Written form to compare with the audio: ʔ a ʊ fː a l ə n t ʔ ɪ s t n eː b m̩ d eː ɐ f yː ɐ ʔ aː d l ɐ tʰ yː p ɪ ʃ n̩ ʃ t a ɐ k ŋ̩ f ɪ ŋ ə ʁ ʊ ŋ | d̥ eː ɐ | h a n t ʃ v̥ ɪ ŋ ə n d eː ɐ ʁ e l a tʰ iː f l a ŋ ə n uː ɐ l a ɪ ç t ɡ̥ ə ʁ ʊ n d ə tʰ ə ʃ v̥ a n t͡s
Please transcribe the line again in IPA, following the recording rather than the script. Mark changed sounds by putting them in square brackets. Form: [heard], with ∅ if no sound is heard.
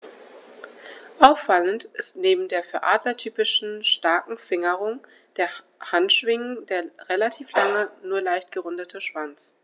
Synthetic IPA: ʔ a ʊ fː a l ə n t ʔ ɪ s t n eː b m̩ d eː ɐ f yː ɐ ʔ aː d l ɐ tʰ yː p ɪ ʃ n̩ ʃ t a ɐ k ŋ̩ f ɪ ŋ ə ʁ ʊ ŋ | d̥ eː ɐ | h a n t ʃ v̥ ɪ ŋ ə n d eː ɐ ʁ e l a tʰ iː f l a ŋ ə n uː ɐ l a ɪ ç t ɡ̥ ə ʁ ʊ n d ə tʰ ə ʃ v̥ a n t͡s